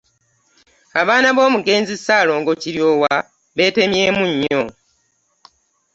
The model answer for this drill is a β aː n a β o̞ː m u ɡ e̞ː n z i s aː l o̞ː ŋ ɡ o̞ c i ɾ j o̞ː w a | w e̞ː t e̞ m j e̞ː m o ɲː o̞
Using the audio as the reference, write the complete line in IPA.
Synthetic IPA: a β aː n a β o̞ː m u ɡ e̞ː n z i s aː l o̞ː ŋ ɡ o̞ c i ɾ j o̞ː w a | β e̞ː t e̞ m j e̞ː m u ɲː o̞